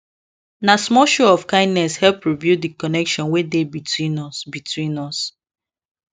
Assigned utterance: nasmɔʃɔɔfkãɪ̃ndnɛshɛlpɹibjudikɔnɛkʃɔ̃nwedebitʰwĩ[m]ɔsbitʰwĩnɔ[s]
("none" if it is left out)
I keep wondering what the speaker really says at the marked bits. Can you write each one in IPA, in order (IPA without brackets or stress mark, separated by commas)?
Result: n, s